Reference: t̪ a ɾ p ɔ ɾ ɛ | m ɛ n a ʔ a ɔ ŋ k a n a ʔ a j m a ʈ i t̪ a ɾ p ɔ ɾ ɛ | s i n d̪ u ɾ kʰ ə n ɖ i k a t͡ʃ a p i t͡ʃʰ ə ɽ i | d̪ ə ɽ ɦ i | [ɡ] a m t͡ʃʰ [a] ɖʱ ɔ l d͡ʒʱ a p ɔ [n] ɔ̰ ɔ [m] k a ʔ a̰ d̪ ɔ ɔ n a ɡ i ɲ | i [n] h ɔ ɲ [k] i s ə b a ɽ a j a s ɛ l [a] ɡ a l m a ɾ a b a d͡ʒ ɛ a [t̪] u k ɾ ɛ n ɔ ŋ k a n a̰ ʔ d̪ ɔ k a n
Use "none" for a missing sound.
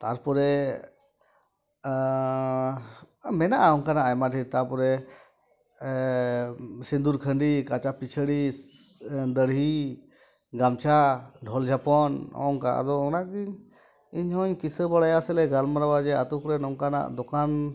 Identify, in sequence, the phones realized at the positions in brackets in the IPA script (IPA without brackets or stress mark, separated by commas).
ɡ, a, n, ŋ, ɲ, k, ɛ, t̪